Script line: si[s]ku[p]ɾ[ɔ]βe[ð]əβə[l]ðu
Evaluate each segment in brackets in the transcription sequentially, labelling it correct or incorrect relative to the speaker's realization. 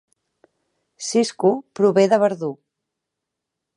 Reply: correct, correct, incorrect: u, correct, incorrect: ɾ

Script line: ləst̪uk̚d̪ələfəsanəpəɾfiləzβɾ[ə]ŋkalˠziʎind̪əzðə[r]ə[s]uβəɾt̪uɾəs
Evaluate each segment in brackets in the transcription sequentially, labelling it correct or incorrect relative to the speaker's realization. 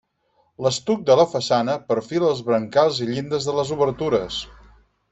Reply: correct, incorrect: l, incorrect: z

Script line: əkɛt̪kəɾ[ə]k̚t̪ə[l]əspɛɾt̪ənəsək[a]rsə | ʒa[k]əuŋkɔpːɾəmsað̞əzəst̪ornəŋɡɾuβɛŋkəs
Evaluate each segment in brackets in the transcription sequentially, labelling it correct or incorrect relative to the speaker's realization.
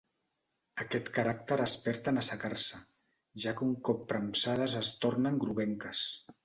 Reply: incorrect: a, incorrect: ɾ, correct, correct

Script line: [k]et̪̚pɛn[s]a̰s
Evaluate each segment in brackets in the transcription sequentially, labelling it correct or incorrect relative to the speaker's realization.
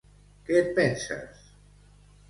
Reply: correct, correct

